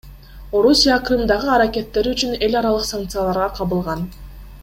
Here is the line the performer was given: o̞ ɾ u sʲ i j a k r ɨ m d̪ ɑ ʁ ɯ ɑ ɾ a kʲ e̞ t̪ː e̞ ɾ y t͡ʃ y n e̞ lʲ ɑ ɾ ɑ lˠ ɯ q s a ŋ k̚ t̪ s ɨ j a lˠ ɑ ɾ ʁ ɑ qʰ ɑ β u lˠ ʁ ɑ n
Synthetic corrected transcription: o̞ ɾ u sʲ i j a k r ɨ m d̪ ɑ ʁ ɯ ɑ ɾ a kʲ e̞ t̪ː e̞ ɾ y t͡ʃ y n e̞ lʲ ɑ ɾ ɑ lˠ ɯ q s a ŋ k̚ t̪ s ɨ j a lˠ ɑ ɾ ʁ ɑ qʰ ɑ β ɯ lˠ ʁ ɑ n

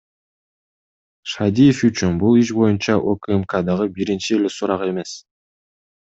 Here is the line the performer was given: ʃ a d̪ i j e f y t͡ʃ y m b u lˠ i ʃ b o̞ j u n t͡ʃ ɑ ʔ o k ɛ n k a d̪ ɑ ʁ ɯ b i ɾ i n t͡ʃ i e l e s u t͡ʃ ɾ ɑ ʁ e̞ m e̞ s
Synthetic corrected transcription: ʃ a d̪ i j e f y t͡ʃ y n b u lˠ i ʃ b o̞ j u n t͡ʃ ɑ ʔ o k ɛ m k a d̪ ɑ ʁ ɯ b i ɾ i n t͡ʃ i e l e s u ɾ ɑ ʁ e̞ m e̞ s

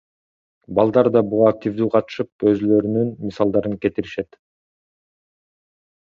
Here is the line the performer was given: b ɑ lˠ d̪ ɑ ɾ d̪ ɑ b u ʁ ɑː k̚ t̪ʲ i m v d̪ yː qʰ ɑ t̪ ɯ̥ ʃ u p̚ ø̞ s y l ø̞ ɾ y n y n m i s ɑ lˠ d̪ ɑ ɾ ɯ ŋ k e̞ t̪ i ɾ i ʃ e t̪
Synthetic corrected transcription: b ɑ lˠ d̪ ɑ ɾ d̪ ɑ b u ʁ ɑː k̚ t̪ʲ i v d̪ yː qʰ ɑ t̪ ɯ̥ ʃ ɯ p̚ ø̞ z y l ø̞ ɾ y n y n m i s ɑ lˠ d̪ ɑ ɾ ɯ ŋ k e̞ t̪ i ɾ i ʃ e t̪

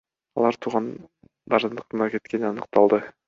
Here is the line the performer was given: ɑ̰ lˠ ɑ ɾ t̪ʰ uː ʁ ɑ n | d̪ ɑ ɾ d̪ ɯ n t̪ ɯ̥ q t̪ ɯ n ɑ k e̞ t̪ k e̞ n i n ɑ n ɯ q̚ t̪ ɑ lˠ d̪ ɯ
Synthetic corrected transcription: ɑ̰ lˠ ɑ ɾ t̪ʰ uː ʁ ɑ n | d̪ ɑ ɾ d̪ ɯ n d̪ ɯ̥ q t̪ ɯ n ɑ k e̞ t̪ k e̞ n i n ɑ n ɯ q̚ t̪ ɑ lˠ d̪ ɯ

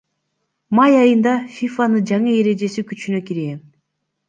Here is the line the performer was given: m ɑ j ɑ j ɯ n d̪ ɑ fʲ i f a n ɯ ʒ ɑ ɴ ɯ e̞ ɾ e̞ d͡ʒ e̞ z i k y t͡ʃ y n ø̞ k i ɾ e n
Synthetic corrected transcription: m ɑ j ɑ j ɯ n d̪ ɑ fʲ i f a n ɯ d͡ʒ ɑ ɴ ɯ e̞ ɾ e̞ d͡ʒ e̞ s i k y t͡ʃ y n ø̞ k i ɾ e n

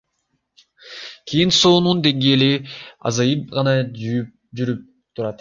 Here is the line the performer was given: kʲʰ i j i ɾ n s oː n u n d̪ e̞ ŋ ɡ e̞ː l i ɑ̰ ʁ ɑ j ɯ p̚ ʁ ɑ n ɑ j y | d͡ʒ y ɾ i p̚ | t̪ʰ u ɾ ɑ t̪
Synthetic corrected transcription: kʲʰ i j i n s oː n u n d̪ e̞ ŋ ɡ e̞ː l i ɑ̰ z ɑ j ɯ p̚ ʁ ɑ n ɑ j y | d͡ʒ y ɾ y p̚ | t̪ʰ u ɾ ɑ t̪

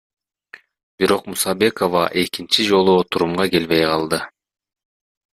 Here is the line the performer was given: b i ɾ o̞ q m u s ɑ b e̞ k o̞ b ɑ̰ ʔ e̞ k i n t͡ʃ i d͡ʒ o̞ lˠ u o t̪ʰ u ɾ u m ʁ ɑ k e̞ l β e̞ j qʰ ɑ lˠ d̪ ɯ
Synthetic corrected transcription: b i ɾ o̞ q m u s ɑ b e̞ k o̞ v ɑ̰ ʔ e̞ k i n t͡ʃ i d͡ʒ o̞ lˠ u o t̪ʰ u ɾ u m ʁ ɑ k e̞ l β e̞ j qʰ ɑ lˠ d̪ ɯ

